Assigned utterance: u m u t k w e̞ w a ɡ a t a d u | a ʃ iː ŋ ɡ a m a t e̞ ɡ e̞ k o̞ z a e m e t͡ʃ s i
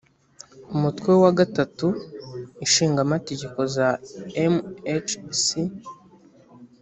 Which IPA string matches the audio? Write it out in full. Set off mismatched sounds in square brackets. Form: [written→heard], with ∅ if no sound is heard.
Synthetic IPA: u m u t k w e̞ w a ɡ a t a [d→t] u | [a→i] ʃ iː ŋ ɡ a m a t e̞ [ɡ→ɟ] e̞ k o̞ z a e m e t͡ʃ s i